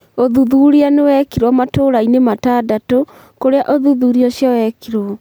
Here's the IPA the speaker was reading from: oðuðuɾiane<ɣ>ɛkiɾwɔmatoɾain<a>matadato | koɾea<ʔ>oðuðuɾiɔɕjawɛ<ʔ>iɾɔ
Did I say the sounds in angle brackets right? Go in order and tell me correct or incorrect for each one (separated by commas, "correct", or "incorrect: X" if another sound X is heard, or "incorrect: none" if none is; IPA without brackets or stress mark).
incorrect: w, incorrect: e, correct, incorrect: k